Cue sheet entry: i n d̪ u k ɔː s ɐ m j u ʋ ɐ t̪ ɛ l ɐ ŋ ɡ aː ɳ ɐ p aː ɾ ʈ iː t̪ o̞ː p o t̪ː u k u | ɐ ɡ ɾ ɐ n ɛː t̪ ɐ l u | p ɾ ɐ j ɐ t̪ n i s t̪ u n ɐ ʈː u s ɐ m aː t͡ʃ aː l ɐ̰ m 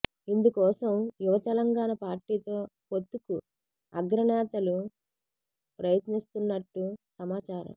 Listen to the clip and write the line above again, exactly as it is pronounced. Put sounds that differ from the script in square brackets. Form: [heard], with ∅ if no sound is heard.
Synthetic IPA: i n d̪ u k ɔː s ɐ m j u ʋ ɐ t̪ ɛ l ɐ ŋ ɡ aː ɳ ɐ p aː ɾ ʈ iː t̪ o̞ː p o t̪ː u k u | ɐ ɡ ɾ ɐ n ɛː t̪ ɐ l u | p ɾ ɐ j ɐ t̪ n i s t̪ u [nː] ɐ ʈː u s ɐ m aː t͡ʃ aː [ɾ] ɐ̰ m

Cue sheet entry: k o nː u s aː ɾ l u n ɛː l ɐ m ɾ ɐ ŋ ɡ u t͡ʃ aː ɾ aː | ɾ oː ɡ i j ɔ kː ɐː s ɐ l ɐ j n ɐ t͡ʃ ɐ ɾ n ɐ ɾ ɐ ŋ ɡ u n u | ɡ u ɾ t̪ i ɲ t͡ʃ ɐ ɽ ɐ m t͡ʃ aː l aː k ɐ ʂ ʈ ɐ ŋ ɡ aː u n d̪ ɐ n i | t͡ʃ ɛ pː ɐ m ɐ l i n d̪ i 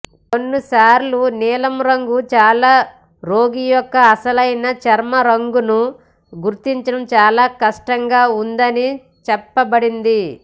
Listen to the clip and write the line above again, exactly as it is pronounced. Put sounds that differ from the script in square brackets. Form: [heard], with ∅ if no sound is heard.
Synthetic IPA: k o nː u s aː ɾ l u n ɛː l ɐ m ɾ ɐ ŋ ɡ u t͡ʃ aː [l] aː | ɾ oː ɡ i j ɔ kː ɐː s ɐ l ɐ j n ɐ t͡ʃ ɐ ɾ [m] ɐ ɾ ɐ ŋ ɡ u n u | ɡ u ɾ t̪ i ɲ t͡ʃ ɐ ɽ ɐ m t͡ʃ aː l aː k ɐ ʂ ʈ ɐ ŋ ɡ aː u n d̪ ɐ n i | t͡ʃ ɛ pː ɐ [b] ɐ [ɽ] i n d̪ i

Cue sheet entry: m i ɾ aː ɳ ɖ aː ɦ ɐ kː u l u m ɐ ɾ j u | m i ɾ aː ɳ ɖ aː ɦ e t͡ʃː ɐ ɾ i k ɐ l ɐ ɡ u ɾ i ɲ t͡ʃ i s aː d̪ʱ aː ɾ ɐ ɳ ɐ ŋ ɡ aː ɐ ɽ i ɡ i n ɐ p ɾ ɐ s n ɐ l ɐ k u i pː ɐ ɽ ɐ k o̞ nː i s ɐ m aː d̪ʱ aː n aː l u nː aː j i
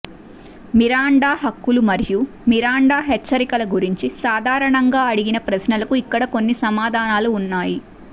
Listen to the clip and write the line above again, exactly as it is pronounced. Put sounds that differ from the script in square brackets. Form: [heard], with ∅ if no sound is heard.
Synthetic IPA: m i ɾ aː ɳ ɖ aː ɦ ɐ kː u l u m ɐ ɾ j u | m i ɾ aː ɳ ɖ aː ɦ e t͡ʃː ɐ ɾ i k ɐ l ɐ ɡ u ɾ i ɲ t͡ʃ i s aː d̪ʱ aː ɾ ɐ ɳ ɐ ŋ ɡ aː ɐ ɽ i ɡ i n ɐ p ɾ ɐ s n ɐ l ɐ k u i [kː] ɐ ɽ ɐ k o̞ nː i s ɐ m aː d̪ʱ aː n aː l [uː] nː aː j i

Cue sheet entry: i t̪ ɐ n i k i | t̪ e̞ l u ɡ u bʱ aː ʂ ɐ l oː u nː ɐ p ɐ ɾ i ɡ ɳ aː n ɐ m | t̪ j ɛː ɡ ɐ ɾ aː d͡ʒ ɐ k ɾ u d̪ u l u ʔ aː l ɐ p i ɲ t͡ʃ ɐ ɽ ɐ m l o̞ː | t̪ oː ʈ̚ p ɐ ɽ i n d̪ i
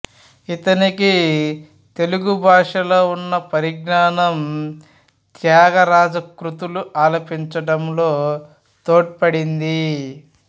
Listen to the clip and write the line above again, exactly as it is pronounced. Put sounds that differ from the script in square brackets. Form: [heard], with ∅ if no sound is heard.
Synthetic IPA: i t̪ ɐ n i k i | t̪ e̞ l u ɡ u bʱ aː ʂ ɐ l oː u nː ɐ p ɐ ɾ i ɡ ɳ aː n ɐ m | t̪ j [aː] ɡ ɐ ɾ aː d͡ʒ ɐ k ɾ u [t̪] u l u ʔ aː l ɐ p i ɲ t͡ʃ ɐ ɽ ɐ m l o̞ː | t̪ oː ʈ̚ p ɐ ɽ i n d̪ i

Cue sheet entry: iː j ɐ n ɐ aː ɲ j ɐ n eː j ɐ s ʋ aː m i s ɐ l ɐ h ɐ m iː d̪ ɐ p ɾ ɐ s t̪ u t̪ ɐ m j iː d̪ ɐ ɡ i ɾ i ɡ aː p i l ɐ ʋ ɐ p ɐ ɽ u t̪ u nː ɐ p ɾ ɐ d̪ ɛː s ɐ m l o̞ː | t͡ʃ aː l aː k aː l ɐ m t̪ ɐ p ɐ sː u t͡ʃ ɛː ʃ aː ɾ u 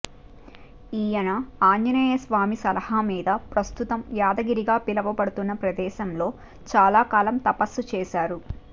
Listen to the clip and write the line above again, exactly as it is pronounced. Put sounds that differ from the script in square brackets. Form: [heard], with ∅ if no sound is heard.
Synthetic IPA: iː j ɐ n ɐ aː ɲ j ɐ n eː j ɐ s ʋ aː m i s ɐ l ɐ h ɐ m iː d̪ ɐ p ɾ ɐ s t̪ u t̪ ɐ m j [aː] d̪ ɐ ɡ i ɾ i ɡ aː p i l ɐ ʋ ɐ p ɐ ɽ u t̪ u nː ɐ p ɾ ɐ d̪ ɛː [ʃ] ɐ m l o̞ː | t͡ʃ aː l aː k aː l ɐ m t̪ ɐ p ɐ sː u t͡ʃ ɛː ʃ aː ɾ u

